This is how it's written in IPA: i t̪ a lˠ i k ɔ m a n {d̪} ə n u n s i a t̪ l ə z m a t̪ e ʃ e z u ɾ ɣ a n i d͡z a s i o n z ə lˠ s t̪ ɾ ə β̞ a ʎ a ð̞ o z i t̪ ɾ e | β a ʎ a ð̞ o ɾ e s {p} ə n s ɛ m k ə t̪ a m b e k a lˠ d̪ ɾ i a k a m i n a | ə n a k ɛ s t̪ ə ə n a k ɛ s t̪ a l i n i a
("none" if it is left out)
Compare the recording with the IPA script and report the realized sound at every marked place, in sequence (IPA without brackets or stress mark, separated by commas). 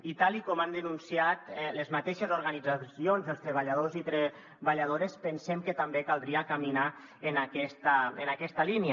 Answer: d̪, p